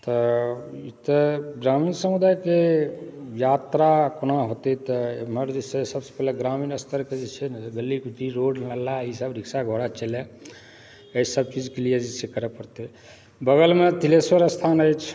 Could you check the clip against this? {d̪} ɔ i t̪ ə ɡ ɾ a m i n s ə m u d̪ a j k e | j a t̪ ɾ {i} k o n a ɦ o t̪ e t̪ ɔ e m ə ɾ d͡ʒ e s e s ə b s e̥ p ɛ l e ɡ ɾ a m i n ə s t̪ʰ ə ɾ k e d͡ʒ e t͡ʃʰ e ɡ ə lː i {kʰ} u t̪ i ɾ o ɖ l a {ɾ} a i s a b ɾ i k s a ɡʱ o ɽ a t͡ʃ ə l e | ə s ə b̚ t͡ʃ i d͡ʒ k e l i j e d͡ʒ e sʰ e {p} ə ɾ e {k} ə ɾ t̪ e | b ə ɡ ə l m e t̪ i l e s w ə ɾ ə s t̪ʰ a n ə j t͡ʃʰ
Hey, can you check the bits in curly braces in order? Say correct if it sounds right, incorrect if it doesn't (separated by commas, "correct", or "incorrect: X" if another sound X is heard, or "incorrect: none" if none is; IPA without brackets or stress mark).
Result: incorrect: t̪, incorrect: a, incorrect: k, incorrect: l, incorrect: k, incorrect: p